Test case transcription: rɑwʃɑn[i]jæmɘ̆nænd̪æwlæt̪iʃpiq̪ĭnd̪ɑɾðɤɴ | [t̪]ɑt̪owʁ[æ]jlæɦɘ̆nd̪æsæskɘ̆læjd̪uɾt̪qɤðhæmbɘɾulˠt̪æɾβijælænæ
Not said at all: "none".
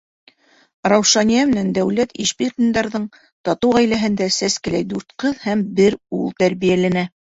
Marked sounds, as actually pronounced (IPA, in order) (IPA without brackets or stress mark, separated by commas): i, t̪, æ